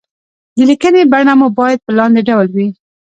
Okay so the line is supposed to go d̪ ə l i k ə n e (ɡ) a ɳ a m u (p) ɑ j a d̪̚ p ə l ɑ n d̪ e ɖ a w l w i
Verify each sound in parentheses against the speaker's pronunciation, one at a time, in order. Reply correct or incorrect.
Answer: incorrect: b, incorrect: b

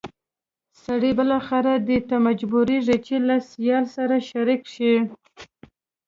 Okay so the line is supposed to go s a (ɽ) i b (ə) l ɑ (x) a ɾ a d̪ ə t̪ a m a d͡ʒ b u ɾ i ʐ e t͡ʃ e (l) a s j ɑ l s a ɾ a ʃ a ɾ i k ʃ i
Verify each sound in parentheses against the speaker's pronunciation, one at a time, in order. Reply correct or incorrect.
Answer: correct, correct, correct, correct

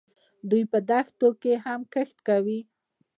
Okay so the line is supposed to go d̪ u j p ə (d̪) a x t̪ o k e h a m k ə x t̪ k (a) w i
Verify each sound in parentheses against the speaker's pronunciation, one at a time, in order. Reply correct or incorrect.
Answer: correct, correct

